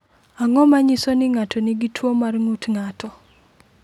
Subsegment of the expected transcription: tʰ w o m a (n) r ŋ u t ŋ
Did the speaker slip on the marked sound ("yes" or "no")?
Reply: yes